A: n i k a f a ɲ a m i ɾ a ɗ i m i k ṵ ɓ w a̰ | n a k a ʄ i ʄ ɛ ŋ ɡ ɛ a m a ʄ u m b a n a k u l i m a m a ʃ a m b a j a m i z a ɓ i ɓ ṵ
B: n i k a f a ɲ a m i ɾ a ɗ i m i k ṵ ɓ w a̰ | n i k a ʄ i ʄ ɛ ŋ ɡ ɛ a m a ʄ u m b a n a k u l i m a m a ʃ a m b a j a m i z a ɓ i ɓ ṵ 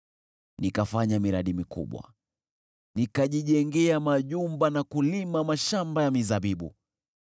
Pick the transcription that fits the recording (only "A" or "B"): B